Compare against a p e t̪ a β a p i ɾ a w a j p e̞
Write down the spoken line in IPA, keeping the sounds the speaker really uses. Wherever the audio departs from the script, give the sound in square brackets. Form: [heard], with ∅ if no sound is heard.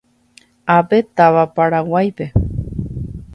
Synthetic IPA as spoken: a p e t̪ a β a p [a] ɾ a w a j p e̞